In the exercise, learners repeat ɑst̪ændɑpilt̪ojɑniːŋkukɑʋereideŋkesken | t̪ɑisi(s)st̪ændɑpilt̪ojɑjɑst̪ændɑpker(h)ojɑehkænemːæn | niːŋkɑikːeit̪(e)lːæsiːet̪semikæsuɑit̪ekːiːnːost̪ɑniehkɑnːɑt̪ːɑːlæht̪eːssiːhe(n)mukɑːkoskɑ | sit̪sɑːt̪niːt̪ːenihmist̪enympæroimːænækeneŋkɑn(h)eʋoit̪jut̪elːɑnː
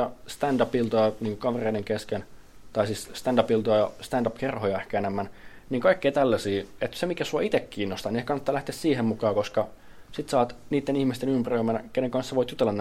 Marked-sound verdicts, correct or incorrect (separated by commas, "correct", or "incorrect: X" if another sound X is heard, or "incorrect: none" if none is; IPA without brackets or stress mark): correct, correct, incorrect: æ, incorrect: m, incorrect: s